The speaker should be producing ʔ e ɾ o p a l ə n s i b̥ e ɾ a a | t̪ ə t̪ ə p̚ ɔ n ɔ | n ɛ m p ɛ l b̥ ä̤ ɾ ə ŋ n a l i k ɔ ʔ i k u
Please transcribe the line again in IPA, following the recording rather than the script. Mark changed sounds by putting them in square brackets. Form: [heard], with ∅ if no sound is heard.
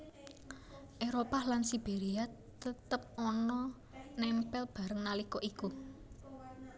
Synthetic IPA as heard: ʔ e ɾ o p a l [a] n s i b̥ e ɾ [i] a | t̪ ə t̪ ə p̚ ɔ n ɔ | n ɛ m p ɛ l b̥ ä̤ ɾ ə ŋ n a l i k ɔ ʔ i k u